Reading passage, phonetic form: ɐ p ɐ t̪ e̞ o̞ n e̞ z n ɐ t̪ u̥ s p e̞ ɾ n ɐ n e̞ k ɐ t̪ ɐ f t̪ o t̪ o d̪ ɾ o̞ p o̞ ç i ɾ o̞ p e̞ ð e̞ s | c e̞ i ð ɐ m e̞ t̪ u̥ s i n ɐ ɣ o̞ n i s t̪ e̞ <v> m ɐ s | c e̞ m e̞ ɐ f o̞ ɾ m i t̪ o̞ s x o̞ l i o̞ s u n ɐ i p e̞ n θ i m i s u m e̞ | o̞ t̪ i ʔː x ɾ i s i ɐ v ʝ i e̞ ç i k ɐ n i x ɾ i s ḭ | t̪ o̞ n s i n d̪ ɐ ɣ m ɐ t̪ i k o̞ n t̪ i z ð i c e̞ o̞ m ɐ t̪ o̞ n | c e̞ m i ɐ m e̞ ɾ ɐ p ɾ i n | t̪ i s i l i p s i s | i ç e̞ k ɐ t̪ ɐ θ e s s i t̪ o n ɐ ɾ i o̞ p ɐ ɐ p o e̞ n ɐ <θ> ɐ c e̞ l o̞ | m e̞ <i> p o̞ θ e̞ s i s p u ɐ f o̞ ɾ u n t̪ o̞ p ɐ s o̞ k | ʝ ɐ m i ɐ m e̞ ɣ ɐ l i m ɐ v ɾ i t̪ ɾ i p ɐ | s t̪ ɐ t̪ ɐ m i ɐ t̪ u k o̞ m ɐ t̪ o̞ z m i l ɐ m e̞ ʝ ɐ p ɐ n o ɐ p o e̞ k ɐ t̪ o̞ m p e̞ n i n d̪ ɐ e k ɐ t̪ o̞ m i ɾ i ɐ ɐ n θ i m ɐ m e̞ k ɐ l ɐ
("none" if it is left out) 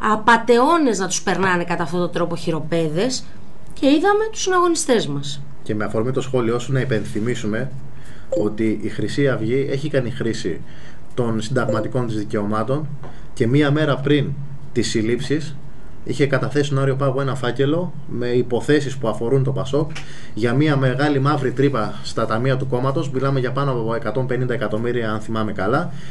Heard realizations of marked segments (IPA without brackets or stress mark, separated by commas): z, f, i